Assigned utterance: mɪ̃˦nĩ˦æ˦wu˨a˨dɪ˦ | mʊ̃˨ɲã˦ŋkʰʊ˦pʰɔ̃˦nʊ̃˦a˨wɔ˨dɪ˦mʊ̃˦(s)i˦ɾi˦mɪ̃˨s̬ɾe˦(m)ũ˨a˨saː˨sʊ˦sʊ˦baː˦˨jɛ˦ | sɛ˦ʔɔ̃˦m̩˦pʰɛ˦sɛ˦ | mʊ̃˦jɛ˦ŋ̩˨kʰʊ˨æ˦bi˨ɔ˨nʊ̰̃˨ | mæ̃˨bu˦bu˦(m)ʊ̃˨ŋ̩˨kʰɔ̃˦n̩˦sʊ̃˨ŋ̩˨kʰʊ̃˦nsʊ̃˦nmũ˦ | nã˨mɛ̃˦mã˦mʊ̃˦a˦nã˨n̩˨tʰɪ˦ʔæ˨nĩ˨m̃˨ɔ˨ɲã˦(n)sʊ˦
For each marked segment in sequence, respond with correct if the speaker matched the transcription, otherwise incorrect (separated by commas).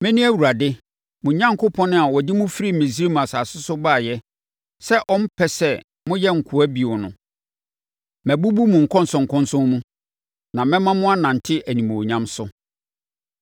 incorrect, correct, correct, incorrect